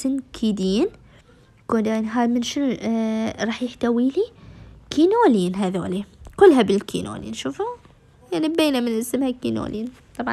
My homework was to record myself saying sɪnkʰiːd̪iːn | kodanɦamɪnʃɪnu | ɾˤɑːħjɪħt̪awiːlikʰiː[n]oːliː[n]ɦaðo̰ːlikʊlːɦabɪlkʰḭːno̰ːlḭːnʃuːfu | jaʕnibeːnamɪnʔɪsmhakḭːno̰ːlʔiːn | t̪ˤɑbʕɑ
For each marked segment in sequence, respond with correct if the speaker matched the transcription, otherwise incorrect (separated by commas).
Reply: correct, correct